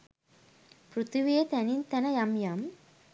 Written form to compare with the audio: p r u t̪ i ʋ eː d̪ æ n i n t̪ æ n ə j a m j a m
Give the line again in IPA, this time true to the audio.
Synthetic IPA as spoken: p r u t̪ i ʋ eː t̪ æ n i n t̪ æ n ə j a m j a m